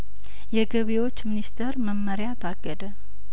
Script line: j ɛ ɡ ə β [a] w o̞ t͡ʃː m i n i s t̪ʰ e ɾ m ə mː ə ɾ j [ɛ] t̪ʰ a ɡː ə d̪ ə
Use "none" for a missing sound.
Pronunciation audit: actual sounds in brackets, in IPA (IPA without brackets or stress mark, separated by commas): e, a